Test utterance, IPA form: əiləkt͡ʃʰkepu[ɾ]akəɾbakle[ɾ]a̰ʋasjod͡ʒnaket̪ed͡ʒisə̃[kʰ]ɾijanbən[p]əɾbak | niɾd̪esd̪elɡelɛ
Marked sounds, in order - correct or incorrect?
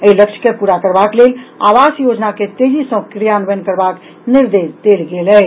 correct, incorrect: l, incorrect: k, incorrect: k

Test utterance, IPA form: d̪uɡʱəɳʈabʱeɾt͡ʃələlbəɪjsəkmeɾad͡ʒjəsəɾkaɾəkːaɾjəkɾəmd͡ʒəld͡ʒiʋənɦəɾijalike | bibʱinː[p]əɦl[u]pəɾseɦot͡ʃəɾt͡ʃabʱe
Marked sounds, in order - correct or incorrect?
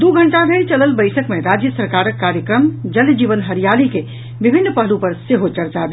correct, correct

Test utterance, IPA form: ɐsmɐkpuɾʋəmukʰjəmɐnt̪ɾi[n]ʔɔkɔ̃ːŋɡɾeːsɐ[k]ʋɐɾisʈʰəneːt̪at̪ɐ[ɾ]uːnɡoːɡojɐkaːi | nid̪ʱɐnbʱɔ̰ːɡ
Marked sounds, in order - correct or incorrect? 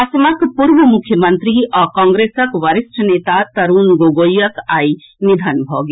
incorrect: none, correct, correct

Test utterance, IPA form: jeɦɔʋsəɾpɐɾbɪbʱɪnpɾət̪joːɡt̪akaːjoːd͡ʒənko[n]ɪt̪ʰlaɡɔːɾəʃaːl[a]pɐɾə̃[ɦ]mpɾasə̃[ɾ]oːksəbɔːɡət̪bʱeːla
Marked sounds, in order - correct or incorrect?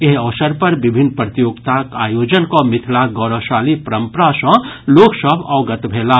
incorrect: m, incorrect: i, incorrect: none, incorrect: l

